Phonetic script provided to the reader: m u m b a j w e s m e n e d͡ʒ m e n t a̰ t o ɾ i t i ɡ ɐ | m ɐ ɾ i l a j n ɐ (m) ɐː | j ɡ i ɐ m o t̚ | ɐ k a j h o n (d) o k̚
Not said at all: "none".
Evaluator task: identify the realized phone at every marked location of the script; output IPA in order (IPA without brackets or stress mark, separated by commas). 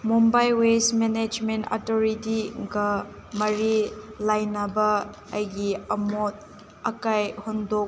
b, d